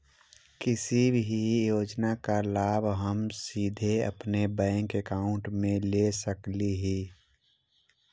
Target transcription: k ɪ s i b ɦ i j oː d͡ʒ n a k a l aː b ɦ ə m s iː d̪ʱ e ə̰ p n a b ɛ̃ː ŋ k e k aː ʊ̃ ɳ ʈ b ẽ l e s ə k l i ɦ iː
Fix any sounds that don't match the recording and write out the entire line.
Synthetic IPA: k ɪ s i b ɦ i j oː d͡ʒ n a k a l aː b ɦ ə m s iː d̪ʱ e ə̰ p n e b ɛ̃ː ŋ k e k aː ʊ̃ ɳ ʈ m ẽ l e s ə k l i ɦ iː